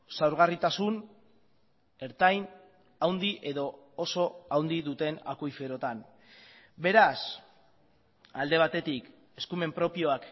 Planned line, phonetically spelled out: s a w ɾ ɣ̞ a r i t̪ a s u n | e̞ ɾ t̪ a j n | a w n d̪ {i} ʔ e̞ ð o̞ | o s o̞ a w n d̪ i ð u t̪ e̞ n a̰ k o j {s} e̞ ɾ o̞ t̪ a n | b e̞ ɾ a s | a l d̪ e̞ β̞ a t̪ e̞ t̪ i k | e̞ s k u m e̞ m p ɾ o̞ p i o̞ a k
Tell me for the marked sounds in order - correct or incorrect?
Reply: correct, incorrect: f

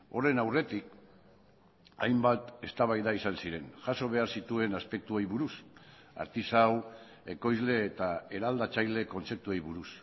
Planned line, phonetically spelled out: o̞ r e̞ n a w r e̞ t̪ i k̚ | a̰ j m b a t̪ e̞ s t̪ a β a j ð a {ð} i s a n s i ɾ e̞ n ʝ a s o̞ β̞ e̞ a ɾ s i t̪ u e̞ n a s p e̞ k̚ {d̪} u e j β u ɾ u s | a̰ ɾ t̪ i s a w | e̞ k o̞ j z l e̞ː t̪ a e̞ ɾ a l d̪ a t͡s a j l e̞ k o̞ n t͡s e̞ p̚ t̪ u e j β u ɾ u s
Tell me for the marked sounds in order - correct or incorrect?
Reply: incorrect: none, incorrect: t̪

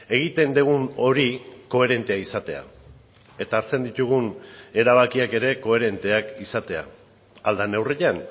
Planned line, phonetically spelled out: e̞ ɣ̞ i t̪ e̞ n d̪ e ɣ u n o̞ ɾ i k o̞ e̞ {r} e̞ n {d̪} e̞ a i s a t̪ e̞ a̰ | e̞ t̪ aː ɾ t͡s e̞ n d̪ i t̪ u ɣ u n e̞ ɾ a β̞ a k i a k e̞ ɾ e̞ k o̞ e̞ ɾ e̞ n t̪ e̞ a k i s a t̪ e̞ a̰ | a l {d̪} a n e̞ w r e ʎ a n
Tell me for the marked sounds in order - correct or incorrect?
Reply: incorrect: ɾ, incorrect: t̪, correct

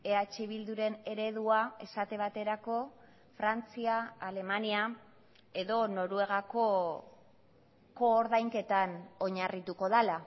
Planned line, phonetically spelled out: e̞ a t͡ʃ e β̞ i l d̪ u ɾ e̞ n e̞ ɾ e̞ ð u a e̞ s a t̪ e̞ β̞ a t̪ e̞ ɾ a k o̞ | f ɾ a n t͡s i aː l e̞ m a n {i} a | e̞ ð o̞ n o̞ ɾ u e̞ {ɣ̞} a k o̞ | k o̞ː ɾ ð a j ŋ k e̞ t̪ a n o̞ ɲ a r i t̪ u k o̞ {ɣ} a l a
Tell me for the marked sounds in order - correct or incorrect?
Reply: correct, correct, incorrect: ð

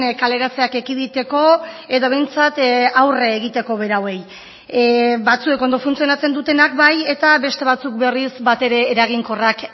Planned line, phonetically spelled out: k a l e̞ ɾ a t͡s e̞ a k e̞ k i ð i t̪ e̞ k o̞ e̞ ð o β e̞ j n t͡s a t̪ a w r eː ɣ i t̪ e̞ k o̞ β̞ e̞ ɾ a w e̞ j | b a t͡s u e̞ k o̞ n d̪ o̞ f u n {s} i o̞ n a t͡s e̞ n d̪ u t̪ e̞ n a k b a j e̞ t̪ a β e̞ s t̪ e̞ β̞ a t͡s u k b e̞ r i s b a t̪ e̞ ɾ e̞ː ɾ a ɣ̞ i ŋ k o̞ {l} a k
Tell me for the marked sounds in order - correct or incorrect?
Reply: incorrect: t͡s, incorrect: r

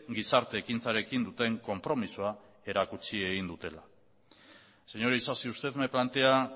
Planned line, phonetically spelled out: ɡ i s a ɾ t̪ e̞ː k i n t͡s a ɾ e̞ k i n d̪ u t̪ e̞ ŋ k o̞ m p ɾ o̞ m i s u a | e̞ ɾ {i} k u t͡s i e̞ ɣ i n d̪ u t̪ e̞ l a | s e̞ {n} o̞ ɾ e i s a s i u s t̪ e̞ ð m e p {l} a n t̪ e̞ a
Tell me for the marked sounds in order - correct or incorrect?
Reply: incorrect: a, incorrect: ɲ, correct

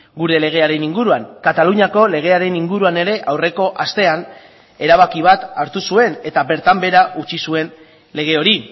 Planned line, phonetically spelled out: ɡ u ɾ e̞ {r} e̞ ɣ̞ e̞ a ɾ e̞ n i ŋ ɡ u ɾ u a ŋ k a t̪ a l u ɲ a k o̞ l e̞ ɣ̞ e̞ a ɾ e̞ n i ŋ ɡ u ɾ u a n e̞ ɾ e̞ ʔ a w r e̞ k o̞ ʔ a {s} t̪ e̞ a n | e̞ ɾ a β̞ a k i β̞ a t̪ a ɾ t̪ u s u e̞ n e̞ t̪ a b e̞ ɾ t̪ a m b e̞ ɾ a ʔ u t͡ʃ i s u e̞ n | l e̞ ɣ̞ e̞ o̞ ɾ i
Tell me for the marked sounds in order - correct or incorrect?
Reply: incorrect: l, correct

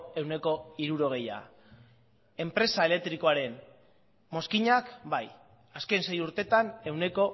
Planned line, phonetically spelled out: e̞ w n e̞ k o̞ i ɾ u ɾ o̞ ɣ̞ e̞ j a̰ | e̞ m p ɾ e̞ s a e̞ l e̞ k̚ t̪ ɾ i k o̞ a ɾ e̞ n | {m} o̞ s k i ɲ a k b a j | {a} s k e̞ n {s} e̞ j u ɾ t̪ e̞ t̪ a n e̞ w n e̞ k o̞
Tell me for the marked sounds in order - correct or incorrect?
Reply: correct, correct, correct

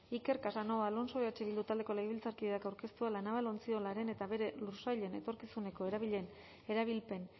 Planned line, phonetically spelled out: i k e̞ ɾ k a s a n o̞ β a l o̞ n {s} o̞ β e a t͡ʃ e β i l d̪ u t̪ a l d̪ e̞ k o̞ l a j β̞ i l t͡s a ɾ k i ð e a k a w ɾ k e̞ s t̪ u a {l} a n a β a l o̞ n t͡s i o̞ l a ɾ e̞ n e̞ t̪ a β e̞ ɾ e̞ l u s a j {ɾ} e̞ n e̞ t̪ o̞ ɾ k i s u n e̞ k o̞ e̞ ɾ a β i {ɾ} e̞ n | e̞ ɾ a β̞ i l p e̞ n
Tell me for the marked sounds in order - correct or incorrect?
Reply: correct, correct, incorrect: ʎ, incorrect: ʎ

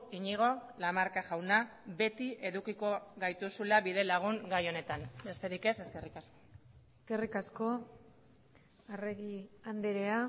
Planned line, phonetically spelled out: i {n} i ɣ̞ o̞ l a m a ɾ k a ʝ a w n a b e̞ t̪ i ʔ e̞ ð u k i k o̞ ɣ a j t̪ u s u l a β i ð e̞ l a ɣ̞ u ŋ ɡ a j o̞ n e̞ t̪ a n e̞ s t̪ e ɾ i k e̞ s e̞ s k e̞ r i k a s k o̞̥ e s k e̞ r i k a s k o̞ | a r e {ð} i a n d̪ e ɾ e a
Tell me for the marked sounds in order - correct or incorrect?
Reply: incorrect: ɲ, incorrect: ɣ

